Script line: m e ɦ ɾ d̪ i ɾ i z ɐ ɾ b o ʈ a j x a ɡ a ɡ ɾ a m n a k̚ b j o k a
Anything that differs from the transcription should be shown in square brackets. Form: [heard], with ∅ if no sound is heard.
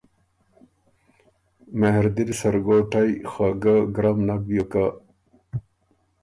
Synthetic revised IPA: m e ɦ ɾ d̪ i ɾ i [s] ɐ ɾ [ɡ] o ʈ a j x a ɡ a ɡ ɾ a m n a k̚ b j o k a